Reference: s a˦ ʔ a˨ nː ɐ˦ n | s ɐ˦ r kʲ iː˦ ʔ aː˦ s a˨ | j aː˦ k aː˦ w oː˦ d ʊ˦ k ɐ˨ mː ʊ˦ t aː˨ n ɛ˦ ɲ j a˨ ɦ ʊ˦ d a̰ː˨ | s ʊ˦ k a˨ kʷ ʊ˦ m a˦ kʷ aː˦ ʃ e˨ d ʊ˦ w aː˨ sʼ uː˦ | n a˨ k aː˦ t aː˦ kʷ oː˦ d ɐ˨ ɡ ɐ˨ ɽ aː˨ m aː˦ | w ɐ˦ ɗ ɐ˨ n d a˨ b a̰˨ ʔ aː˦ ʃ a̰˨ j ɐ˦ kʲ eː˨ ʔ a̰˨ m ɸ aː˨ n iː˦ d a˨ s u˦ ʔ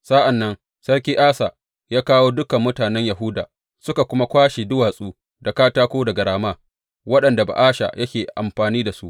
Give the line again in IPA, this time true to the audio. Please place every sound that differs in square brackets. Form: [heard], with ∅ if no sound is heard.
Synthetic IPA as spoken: s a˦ ʔ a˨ nː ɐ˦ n | s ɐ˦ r kʲ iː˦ ʔ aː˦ s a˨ | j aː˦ k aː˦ w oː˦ d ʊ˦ k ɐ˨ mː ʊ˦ t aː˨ n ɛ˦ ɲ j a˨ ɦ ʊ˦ d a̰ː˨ | s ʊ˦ k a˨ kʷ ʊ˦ m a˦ kʷ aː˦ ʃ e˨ d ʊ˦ w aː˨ sʼ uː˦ | [d] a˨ k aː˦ t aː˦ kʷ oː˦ d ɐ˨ ɡ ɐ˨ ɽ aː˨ m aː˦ | w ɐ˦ ɗ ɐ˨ n d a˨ b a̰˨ ʔ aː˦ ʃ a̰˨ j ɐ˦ kʲ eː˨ ʔ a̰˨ m ɸ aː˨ n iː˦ d a˨ s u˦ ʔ